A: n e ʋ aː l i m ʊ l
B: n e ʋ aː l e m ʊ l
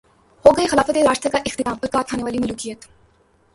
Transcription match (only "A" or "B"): A